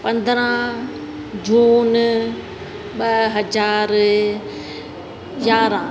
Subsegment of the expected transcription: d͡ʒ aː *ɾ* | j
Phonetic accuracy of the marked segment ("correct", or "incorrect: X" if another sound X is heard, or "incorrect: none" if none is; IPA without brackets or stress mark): correct